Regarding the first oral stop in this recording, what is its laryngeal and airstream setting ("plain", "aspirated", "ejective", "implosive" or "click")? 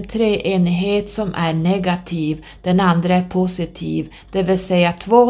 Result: aspirated